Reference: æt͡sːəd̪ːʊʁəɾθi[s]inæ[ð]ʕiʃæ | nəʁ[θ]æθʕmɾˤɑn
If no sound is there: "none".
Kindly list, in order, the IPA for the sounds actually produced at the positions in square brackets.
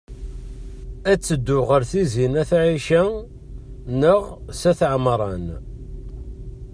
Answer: z, θ, s

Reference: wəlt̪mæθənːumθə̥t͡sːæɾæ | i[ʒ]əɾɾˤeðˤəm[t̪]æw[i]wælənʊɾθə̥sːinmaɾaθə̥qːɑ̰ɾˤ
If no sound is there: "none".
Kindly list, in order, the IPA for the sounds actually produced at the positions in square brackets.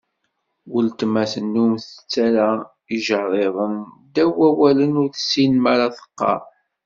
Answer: ʒ, d̪, æ

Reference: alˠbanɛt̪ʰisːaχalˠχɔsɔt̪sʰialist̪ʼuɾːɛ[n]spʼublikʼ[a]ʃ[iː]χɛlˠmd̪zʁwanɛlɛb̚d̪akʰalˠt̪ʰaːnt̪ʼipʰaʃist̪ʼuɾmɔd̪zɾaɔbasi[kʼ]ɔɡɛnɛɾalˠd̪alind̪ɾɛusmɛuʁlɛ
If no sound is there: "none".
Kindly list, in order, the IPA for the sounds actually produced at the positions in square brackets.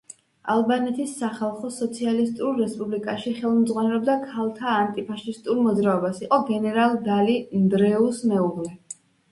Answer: none, a, i, qʼ

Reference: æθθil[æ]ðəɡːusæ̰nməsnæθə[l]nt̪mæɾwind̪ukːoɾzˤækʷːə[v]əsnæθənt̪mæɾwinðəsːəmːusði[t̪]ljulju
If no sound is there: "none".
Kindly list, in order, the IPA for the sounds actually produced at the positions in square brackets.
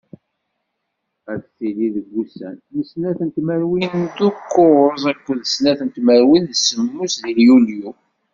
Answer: i, none, ð, none

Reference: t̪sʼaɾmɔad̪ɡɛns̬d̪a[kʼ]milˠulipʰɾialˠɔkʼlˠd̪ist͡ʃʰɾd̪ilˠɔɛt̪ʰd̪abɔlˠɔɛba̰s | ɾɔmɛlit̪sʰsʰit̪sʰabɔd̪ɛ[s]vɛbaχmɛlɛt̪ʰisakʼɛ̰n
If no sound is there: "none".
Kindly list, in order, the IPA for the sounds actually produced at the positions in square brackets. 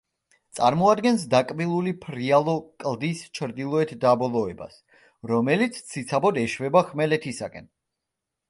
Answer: kʼ, ʃ

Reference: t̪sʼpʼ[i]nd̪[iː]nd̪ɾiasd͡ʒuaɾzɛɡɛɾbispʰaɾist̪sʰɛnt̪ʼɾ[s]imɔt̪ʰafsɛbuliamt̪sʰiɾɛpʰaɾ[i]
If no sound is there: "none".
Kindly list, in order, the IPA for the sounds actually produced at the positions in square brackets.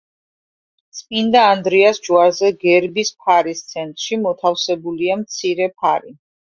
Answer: i, aː, ʃ, i

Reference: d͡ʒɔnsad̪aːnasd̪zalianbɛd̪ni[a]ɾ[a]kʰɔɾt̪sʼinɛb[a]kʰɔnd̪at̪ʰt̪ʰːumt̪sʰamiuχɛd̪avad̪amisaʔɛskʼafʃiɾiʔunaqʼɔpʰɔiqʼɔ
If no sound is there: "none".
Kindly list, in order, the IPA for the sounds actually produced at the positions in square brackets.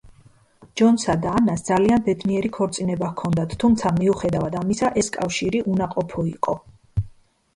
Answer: ɛ, i, a

